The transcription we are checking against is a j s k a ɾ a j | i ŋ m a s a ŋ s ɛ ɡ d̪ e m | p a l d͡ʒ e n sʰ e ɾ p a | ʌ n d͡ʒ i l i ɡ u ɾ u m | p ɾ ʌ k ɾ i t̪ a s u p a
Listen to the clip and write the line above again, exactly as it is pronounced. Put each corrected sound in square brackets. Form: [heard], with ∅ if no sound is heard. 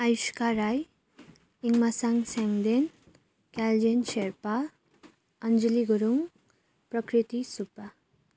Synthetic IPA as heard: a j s k a ɾ a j | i ŋ m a s a ŋ s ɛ [ŋ] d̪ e [n] | [k] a l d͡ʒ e n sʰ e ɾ p a | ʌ n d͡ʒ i l i ɡ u ɾ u [ŋ] | p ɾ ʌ k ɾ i t̪ [i] s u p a